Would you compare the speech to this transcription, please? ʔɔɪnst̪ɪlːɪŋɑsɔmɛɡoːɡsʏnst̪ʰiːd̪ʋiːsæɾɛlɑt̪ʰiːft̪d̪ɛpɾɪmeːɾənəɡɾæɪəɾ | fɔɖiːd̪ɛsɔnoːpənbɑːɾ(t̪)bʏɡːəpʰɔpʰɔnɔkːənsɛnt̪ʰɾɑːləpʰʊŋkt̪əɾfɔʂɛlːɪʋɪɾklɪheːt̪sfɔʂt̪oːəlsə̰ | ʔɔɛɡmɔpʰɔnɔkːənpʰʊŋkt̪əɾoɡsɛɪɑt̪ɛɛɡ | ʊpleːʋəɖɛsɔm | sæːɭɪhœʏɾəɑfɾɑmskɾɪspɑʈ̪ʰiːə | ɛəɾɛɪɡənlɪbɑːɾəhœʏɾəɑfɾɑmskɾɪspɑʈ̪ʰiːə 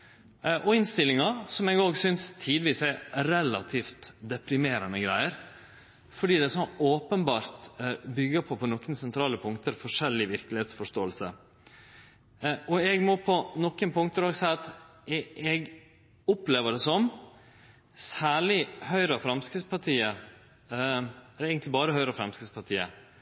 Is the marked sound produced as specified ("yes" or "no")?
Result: yes